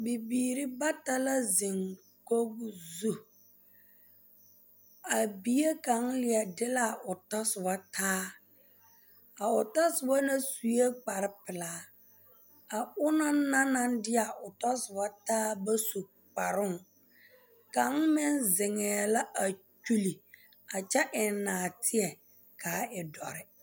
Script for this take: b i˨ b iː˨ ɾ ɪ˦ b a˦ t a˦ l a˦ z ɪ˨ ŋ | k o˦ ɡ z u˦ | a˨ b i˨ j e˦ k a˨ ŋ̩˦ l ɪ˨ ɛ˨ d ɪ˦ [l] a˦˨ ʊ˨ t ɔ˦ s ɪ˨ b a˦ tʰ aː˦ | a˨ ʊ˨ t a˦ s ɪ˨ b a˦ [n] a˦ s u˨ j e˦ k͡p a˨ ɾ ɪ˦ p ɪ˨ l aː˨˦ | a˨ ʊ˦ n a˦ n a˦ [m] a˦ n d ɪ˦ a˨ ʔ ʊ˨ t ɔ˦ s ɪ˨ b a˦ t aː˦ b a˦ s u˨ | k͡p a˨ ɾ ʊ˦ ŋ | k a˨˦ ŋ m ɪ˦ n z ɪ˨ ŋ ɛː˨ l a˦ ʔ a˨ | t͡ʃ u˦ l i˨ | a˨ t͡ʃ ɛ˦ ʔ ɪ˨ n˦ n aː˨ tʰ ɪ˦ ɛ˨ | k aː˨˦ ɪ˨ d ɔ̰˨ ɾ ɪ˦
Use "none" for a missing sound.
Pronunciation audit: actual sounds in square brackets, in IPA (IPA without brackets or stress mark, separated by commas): l, n, n